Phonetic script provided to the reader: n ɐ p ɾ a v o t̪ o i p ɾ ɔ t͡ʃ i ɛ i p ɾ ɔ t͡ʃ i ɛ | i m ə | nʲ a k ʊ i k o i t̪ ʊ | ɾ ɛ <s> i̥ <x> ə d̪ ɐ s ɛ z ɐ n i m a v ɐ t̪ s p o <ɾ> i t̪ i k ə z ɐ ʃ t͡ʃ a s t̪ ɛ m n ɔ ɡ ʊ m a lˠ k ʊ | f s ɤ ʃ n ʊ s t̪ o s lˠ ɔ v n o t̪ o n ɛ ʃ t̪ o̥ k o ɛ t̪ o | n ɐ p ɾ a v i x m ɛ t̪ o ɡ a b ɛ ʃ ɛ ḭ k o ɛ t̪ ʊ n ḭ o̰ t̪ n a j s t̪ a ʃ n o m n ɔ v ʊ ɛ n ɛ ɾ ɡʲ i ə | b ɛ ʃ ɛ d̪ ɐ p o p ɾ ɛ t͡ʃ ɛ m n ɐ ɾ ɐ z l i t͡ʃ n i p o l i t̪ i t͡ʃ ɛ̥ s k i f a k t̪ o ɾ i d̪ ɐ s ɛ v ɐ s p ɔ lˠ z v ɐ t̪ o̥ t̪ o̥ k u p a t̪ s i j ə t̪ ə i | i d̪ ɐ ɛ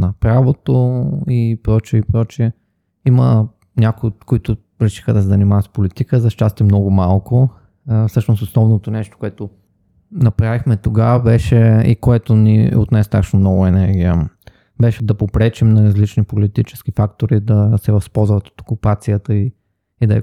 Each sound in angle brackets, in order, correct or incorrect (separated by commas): incorrect, correct, incorrect